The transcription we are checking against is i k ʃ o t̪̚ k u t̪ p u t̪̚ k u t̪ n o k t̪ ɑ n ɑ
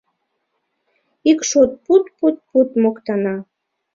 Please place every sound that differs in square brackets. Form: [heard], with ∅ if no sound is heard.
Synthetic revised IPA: i k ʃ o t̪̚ [p] u t̪ p u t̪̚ [p] u t̪ [m] o k t̪ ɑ n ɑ